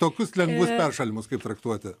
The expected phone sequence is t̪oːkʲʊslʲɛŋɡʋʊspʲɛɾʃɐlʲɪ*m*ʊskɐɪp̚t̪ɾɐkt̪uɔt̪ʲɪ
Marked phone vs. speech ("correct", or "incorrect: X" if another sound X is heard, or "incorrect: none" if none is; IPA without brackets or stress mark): correct